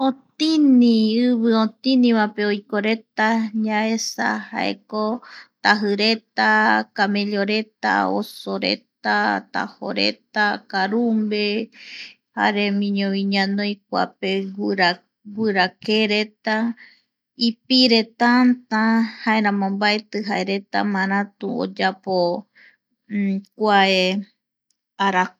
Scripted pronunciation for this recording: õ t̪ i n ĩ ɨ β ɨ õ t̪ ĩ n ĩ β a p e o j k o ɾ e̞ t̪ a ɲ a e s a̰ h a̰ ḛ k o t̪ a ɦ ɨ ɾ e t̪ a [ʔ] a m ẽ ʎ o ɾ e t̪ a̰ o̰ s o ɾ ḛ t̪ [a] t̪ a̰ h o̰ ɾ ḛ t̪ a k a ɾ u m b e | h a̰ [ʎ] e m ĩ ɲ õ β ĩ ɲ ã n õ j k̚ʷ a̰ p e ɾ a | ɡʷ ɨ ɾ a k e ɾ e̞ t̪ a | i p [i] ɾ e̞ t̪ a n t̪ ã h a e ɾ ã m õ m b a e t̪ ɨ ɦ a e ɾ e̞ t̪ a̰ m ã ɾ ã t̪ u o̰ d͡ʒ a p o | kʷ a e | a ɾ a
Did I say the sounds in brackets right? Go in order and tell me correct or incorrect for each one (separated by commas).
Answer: incorrect, correct, incorrect, correct